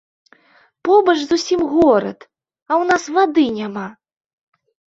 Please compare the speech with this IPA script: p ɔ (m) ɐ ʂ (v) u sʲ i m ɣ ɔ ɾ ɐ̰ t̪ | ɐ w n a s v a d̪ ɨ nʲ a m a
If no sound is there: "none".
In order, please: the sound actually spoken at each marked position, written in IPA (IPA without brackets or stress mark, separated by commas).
b, z